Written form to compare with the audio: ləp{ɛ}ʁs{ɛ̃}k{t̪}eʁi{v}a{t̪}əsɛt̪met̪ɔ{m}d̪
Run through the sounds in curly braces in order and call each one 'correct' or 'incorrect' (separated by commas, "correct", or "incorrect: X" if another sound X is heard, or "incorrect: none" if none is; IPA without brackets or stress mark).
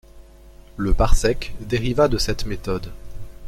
incorrect: a, incorrect: ɛ, incorrect: d̪, correct, incorrect: d̪, incorrect: none